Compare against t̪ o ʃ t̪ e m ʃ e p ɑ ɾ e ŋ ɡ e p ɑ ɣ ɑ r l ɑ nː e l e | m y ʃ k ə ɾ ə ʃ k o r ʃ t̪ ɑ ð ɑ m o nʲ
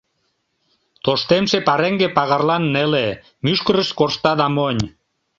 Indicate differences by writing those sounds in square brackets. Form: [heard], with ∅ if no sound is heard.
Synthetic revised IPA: t̪ o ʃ t̪ e m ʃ e p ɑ ɾ e ŋ ɡ e p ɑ ɣ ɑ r l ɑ nː e l e | m y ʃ k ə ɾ ə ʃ k o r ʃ t̪ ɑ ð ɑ m o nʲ